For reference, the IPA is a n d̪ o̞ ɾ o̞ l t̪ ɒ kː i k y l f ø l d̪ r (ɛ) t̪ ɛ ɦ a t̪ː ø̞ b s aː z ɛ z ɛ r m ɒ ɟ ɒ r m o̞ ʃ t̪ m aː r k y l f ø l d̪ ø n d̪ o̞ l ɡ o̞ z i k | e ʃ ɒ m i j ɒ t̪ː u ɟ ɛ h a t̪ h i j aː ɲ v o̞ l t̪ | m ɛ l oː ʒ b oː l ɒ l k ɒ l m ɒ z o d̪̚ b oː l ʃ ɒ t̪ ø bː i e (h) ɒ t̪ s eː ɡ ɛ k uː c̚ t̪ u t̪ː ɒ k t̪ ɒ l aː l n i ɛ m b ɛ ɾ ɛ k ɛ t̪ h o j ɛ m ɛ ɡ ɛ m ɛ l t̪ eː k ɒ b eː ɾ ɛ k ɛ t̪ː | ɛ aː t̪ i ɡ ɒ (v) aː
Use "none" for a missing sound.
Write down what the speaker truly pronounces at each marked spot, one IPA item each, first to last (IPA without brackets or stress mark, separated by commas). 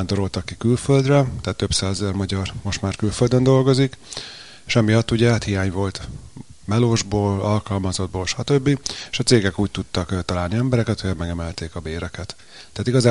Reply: ɛ, ʃ, z